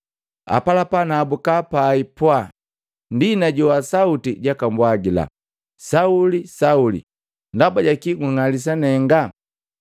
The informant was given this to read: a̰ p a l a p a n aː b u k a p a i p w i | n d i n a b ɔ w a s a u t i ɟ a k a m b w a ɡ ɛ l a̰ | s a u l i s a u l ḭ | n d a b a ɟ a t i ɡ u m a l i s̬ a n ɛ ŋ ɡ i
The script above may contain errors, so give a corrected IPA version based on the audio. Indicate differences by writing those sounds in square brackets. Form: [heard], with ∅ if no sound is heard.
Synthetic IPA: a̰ p a l a p a n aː b u k a p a i p w [a] | n d i n a [ɟ] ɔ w a s a u t i ɟ a k a m b w a ɡ [i] l a̰ | s a u l i s a u l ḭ | n d a b a ɟ a [k] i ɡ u [ŋ] a l i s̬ a n ɛ ŋ ɡ [a]